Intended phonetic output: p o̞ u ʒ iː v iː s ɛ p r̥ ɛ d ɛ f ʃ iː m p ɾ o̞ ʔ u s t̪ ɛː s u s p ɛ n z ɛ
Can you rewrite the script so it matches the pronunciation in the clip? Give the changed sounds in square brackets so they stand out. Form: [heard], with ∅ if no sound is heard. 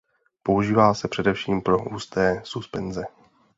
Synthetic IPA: p o̞ u ʒ iː v [aː] s ɛ p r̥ ɛ d ɛ f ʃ iː m p ɾ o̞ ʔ [uː] s t̪ ɛː s u s p ɛ n z ɛ